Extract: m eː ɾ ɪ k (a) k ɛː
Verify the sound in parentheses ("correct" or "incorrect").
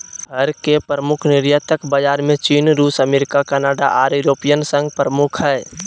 correct